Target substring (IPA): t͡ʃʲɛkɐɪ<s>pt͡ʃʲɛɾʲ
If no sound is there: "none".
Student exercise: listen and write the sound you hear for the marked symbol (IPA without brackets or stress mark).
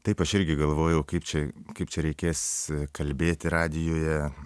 none